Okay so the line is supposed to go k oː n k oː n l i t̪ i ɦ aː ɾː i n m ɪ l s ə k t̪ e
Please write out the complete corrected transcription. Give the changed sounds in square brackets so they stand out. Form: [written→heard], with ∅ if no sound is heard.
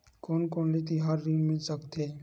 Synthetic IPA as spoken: k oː n k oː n l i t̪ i ɦ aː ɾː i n m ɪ l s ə k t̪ e

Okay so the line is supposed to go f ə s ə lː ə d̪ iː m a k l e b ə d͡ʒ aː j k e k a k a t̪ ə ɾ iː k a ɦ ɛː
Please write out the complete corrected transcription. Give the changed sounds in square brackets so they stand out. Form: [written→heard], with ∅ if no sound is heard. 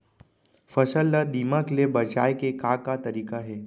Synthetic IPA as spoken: f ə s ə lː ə d̪ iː m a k l e b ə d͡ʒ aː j k e k a k a t̪ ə ɾ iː k a ɦ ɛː

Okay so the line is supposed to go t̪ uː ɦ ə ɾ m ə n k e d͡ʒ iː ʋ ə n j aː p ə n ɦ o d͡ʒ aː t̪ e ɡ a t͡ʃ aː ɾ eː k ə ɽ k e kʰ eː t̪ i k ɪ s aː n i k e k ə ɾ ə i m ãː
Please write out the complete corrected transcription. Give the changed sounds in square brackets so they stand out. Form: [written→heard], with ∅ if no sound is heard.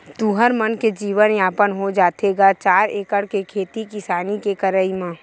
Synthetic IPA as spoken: t̪ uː ɦ ə ɾ m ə n k e d͡ʒ iː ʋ ə n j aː p ə n ɦ o d͡ʒ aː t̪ e ɡ a t͡ʃ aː ɾ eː k ə ɽ k e kʰ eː t̪ i k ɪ s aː n i k e k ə ɾ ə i m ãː

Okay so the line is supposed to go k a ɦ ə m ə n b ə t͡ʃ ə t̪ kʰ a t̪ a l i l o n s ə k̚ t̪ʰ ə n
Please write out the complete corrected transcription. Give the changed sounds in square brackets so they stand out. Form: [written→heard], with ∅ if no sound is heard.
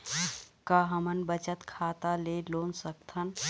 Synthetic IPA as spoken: k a ɦ ə m ə n b ə t͡ʃ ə t̪ kʰ a t̪ a l [i→e] l o n s ə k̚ t̪ʰ ə n

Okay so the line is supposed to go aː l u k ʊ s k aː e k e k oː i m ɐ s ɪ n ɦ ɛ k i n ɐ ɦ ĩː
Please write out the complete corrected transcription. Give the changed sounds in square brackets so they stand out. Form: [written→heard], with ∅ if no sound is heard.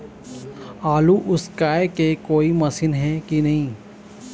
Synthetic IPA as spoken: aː l u [k→ʔ] ʊ s k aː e k e k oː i m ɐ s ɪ n ɦ ɛ k i n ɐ ɦ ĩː

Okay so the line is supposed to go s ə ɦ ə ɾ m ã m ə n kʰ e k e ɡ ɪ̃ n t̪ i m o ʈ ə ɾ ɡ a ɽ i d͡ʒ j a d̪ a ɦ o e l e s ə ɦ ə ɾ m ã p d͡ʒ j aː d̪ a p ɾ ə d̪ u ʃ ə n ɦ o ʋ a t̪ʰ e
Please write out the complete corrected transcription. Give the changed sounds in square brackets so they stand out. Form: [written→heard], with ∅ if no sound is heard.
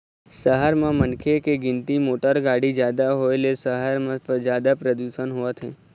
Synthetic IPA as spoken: s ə ɦ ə ɾ m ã m ə n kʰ e k e ɡ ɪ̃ n t̪ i m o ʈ ə ɾ ɡ a ɽ i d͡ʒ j a d̪ a ɦ o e l e s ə ɦ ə ɾ m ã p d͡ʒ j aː d̪ a p ɾ ə d̪ u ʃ ə n ɦ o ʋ a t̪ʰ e

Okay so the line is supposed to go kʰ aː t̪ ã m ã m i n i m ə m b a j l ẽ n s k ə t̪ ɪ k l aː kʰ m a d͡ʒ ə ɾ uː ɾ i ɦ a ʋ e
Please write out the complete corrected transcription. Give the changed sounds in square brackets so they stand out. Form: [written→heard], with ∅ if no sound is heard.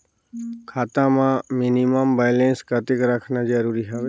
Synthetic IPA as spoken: kʰ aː t̪ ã m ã m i n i m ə m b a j l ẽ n s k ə t̪ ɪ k [l→ɾ] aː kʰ [m→n] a d͡ʒ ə ɾ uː ɾ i ɦ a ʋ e

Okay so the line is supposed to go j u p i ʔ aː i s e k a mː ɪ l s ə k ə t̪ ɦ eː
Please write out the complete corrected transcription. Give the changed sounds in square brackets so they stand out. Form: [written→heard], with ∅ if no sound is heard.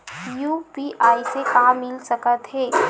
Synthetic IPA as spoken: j u p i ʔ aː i s e k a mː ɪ l s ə k ə t̪ ɦ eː

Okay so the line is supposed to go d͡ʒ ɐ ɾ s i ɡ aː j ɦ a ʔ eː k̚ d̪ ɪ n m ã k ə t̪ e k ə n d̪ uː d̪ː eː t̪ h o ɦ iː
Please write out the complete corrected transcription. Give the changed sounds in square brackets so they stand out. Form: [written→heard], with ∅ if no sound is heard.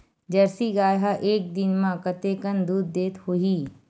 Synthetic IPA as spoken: d͡ʒ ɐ ɾ s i ɡ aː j ɦ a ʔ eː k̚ d̪ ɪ n m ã k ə t̪ e k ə n d̪ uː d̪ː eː t̪ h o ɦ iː

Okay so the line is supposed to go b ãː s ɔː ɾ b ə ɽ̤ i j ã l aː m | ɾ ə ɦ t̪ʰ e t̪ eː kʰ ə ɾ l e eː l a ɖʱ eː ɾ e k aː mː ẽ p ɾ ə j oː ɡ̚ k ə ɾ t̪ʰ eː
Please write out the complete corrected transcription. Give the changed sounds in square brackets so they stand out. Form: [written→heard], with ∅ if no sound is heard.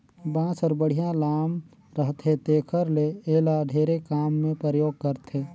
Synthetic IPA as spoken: b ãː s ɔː ɾ b ə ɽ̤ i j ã l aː m | ɾ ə ɦ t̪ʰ e t̪ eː kʰ ə ɾ l e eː l a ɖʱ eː ɾ e k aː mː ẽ p ɾ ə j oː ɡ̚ k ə ɾ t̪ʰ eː

